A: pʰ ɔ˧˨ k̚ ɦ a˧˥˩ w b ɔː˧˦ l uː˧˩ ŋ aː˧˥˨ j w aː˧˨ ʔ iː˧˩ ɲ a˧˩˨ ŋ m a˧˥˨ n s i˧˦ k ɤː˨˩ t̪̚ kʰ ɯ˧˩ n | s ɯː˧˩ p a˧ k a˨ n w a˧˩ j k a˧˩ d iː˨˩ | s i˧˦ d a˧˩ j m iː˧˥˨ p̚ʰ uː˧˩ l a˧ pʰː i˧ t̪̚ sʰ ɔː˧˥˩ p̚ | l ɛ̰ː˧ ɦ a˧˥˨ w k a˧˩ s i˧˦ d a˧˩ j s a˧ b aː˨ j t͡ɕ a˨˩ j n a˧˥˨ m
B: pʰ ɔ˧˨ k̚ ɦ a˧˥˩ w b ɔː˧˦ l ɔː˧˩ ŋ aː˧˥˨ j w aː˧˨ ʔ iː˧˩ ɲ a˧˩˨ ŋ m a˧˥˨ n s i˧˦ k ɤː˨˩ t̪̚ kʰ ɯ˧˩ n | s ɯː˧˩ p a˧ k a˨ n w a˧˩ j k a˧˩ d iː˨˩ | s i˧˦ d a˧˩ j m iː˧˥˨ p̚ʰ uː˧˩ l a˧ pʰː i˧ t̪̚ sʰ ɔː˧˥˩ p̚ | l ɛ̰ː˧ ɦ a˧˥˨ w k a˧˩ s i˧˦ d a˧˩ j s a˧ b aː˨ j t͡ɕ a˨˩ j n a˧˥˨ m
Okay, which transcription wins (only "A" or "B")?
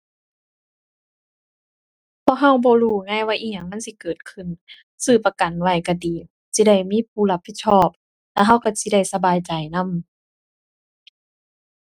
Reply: A